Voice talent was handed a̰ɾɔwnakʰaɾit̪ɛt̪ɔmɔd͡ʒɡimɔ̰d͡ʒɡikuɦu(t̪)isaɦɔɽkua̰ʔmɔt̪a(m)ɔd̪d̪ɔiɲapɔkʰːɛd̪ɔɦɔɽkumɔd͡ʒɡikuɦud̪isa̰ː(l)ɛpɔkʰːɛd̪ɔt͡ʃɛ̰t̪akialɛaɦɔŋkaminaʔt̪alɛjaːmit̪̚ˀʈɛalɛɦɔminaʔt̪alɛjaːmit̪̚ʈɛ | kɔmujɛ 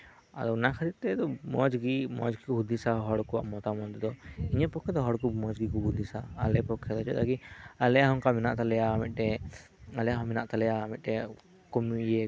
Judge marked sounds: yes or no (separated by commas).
no, yes, yes